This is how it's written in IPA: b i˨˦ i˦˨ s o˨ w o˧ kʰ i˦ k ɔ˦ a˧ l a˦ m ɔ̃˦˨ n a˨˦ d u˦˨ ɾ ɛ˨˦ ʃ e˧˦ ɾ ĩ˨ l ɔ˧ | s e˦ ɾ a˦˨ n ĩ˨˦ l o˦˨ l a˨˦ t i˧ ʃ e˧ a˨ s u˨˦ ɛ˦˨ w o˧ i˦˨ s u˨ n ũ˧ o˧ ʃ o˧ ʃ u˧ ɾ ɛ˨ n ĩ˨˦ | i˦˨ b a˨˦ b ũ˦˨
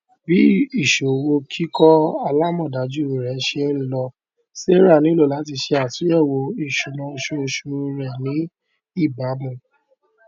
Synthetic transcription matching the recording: b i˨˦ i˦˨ ʃ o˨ w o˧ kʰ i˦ k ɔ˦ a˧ l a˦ m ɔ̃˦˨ d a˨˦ d͡ʒ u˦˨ ɾ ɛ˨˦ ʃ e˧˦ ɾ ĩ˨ l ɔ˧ | s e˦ ɾ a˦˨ n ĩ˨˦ l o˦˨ l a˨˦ t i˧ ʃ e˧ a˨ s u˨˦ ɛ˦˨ w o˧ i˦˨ ʃ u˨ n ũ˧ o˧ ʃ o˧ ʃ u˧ ɾ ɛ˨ n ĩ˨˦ | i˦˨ b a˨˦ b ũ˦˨